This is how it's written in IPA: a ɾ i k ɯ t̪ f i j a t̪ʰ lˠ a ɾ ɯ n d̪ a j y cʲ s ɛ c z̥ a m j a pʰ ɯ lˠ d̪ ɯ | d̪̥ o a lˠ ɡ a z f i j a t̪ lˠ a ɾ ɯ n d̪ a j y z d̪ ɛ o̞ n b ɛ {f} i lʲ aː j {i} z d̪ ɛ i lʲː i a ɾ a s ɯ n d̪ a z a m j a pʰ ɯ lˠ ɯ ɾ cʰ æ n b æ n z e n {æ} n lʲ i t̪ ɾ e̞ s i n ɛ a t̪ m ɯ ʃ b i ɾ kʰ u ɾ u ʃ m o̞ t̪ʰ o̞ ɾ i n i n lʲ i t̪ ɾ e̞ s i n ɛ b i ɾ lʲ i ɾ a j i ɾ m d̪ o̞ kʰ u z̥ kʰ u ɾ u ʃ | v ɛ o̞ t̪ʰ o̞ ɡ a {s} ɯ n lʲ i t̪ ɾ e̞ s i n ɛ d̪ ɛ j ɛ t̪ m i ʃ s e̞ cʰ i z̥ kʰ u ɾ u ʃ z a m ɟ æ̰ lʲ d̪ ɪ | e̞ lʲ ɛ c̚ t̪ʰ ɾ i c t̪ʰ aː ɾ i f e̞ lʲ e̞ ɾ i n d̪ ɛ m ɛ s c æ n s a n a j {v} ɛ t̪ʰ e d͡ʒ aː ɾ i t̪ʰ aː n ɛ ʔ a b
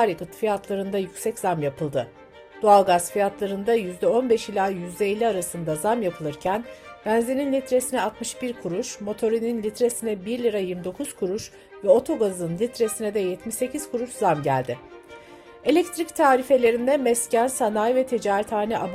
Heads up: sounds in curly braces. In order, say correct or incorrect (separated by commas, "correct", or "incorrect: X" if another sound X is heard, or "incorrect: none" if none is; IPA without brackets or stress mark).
incorrect: ʃ, incorrect: y, incorrect: i, incorrect: z, correct